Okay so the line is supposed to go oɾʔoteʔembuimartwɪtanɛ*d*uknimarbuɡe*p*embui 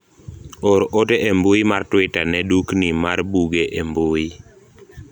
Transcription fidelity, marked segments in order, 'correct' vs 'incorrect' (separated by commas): correct, incorrect